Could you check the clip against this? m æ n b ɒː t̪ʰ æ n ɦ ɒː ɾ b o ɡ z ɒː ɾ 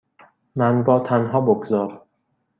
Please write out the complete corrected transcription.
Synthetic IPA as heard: m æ n b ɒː t̪ʰ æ n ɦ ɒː b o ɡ z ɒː ɾ